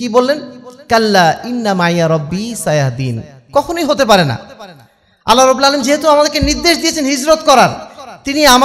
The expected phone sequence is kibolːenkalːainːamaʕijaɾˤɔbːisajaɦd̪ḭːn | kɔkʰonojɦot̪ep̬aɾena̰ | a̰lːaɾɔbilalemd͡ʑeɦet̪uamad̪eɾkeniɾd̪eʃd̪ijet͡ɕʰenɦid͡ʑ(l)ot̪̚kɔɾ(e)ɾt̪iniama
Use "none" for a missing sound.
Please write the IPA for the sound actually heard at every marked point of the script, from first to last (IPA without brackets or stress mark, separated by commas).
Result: ɾ, a